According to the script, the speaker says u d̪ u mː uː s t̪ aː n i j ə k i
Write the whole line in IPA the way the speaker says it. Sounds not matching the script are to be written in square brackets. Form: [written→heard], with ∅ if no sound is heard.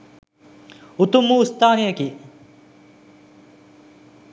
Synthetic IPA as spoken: u [d̪→t̪] u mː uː s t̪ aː n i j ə k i